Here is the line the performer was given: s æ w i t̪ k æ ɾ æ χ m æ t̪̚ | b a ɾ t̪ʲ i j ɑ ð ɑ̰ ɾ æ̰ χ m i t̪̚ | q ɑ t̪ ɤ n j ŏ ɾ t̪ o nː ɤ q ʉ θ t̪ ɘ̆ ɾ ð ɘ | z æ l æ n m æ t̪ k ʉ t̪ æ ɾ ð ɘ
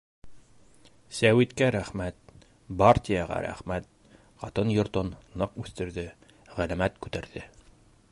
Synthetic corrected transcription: s æ w i t̪ k æ ɾ æ χ m æ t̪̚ | b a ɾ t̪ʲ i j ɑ ʁ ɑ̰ ɾ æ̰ χ m æ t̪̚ | q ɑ t̪ ɤ n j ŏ ɾ t̪ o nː ɤ q ʉ θ t̪ ɘ̆ ɾ ð ɘ | ʁ æ l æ m æ t̪ k ʉ t̪ æ ɾ ð ɘ